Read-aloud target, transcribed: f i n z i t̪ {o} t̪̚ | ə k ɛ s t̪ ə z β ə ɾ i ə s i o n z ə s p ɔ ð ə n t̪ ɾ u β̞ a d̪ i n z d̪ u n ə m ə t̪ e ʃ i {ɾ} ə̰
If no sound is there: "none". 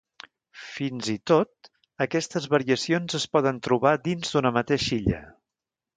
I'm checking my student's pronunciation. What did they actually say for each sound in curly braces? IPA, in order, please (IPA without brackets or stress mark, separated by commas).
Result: o, ʎ